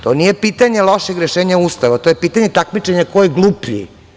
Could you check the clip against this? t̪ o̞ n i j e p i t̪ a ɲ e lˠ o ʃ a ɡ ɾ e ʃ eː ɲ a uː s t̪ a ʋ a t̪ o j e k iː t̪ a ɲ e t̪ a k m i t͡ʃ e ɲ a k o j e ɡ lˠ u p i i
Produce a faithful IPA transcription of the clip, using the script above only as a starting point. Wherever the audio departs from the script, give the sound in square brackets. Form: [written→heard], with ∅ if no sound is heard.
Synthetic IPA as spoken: t̪ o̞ n i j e p i t̪ a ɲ e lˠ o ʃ [a→e] ɡ ɾ e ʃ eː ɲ a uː s t̪ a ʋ a t̪ o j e [k→p] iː t̪ a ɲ e t̪ a k m i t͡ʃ e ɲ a k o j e ɡ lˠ u p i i